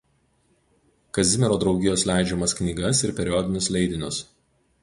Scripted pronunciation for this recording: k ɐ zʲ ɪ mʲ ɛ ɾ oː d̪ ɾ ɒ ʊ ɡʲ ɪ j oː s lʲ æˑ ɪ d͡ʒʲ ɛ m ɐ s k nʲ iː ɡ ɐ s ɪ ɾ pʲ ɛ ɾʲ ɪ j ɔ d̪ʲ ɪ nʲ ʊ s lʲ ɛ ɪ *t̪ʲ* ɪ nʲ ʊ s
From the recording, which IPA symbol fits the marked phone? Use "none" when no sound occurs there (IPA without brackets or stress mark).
d̪ʲ